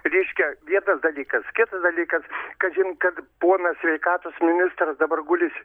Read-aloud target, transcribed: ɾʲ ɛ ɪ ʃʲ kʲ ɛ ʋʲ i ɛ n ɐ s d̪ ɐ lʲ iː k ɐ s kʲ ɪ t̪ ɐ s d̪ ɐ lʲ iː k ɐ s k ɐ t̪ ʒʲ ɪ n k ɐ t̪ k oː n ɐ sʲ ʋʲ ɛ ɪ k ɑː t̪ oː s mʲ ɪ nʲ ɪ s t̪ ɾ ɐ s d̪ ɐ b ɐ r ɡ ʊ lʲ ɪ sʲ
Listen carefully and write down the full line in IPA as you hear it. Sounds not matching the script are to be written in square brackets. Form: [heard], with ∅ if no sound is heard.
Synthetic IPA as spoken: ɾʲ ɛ ɪ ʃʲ kʲ ɛ ʋʲ i ɛ n ɐ s d̪ ɐ lʲ iː k ɐ s kʲ ɪ t̪ ɐ s d̪ ɐ lʲ iː k ɐ s k ɐ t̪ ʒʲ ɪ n k ɐ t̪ [p] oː n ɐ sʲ ʋʲ ɛ ɪ k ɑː t̪ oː s mʲ ɪ nʲ ɪ s t̪ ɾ ɐ s d̪ ɐ b ɐ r ɡ ʊ lʲ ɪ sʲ